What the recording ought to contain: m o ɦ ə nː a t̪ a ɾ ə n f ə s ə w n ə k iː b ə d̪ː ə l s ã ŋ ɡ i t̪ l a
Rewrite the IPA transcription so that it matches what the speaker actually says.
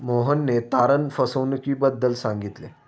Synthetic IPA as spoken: m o ɦ ə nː e t̪ a ɾ ə n f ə s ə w n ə k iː b ə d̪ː ə l s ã ŋ ɡ i t̪ l e